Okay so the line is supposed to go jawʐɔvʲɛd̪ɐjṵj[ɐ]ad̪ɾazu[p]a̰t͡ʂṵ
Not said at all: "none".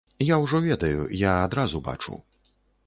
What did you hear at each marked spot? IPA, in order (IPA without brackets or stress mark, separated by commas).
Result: a, b